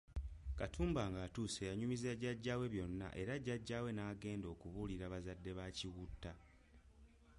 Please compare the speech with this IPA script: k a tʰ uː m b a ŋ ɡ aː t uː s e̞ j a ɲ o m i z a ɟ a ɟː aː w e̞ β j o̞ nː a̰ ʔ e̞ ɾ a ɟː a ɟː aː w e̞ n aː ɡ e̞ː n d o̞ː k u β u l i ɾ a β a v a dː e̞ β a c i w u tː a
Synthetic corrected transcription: k a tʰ uː m b a ŋ ɡ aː t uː s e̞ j a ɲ u m i z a ɟ a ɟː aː w e̞ β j o̞ nː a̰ ʔ e̞ ɾ a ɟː a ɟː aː w e̞ n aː ɡ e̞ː n d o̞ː k u β u l i ɾ a β a z a dː e̞ β a c i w u tː a